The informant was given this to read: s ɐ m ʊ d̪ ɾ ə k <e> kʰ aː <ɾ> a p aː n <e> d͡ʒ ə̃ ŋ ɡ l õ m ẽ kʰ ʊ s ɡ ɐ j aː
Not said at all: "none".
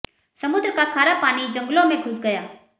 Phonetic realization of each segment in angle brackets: a, ɾ, i

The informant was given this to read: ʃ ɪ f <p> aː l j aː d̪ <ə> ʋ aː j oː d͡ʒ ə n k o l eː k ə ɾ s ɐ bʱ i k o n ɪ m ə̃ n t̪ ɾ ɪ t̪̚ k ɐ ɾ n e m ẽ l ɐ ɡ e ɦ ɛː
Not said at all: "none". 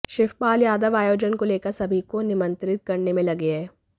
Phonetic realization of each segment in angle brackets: p, ə

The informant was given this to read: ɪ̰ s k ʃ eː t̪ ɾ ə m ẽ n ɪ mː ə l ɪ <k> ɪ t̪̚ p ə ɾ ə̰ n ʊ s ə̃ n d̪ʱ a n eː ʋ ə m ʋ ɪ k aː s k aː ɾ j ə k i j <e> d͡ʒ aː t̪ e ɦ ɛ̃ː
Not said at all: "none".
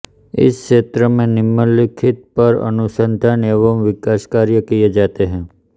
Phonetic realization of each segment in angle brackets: kʰ, e

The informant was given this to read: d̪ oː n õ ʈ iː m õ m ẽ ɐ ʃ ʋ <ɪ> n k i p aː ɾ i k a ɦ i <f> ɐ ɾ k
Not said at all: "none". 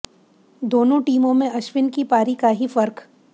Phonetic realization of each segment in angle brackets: ɪ, f

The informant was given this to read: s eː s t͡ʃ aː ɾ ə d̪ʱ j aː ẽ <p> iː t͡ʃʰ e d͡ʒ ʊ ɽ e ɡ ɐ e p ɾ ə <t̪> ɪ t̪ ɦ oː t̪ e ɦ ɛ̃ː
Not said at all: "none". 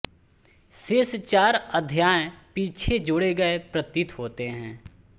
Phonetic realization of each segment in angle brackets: p, t̪

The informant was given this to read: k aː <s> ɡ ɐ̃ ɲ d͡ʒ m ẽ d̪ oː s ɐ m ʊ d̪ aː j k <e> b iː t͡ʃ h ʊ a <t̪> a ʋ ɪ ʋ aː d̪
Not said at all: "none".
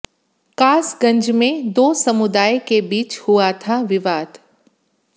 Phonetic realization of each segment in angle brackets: s, e, t̪ʰ

